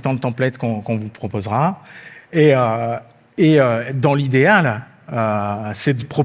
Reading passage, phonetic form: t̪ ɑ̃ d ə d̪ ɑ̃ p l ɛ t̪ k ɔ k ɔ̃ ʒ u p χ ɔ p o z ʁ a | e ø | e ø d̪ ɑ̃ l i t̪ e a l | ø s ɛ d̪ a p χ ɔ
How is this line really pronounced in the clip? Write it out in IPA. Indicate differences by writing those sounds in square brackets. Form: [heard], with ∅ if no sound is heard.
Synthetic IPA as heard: t̪ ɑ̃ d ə [t̪] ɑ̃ p l ɛ t̪ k [ɔ̃] k ɔ̃ [v] u p χ ɔ p o z ʁ a | e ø | e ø d̪ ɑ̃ l i [d̪] e a l | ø s ɛ d̪ [ə] p χ ɔ